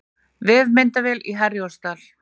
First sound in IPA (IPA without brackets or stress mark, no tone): v